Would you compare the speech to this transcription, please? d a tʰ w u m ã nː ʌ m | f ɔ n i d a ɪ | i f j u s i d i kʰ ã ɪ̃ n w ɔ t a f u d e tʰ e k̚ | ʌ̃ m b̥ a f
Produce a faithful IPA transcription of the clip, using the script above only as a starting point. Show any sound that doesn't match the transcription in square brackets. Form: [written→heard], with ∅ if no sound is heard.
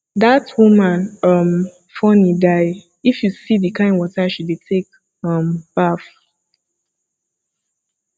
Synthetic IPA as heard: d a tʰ w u m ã [nː→n] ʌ m | f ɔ n i d a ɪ | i f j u s i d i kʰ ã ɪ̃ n w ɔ t a [f→ʃ] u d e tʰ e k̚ | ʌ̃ m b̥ a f